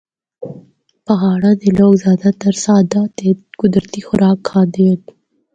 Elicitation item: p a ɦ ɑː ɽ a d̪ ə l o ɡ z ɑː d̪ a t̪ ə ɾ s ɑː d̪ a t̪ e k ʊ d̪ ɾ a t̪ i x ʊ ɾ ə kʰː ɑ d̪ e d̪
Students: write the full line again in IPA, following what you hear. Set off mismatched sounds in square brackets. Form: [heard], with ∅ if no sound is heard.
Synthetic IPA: p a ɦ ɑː ɽ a d̪ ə l o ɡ z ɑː d̪ a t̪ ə ɾ s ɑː d̪ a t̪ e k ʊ d̪ ɾ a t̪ i x ʊ ɾ [ɑ] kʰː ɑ d̪ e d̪